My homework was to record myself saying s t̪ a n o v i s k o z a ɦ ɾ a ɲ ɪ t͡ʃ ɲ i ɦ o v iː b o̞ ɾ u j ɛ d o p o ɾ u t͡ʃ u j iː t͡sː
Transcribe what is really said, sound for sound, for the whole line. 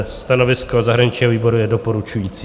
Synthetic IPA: s t̪ a n o v ɪ s k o z a ɦ ɾ a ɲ ɪ t͡ʃ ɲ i ɦ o v iː b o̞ ɾ u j ɛ d o p o ɾ u t͡ʃ u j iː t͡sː